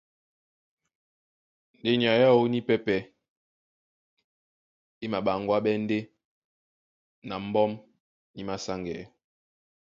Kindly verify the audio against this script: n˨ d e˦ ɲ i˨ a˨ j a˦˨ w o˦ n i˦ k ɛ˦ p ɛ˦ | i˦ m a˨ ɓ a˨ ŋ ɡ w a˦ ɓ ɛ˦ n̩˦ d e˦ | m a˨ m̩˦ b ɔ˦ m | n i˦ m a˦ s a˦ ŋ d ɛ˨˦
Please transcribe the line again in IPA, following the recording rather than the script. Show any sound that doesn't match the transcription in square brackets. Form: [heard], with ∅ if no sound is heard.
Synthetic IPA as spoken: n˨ d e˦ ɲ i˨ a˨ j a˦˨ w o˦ n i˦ [p] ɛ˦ p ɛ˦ | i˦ m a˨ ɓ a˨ ŋ ɡ w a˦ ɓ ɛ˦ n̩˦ d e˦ | [n] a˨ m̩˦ b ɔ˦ m | n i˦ m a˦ s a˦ ŋ [ɡ] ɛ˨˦